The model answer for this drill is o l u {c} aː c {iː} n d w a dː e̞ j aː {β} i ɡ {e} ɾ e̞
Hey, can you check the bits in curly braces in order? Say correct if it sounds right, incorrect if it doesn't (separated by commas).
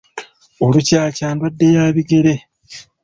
correct, incorrect, correct, correct